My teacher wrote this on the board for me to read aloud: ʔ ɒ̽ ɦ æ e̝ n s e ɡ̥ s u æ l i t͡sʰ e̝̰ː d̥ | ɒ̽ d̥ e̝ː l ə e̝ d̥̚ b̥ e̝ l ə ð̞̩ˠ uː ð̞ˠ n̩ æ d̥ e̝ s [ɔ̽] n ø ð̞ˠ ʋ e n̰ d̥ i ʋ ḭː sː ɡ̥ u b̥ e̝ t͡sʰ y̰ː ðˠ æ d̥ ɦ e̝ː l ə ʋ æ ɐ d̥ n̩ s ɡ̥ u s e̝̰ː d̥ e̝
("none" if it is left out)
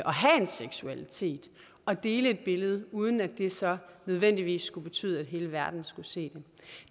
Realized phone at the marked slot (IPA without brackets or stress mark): ɒ̽